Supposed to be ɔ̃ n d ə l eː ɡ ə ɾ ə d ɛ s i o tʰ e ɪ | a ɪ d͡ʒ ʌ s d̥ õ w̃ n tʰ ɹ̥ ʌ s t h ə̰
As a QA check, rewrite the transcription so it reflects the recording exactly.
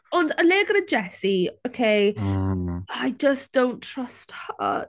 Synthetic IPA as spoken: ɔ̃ n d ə l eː ɡ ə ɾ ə d͡ʒ ɛ s i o kʰ e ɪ | a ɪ d͡ʒ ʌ s d̥ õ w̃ n tʰ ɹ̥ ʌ s t h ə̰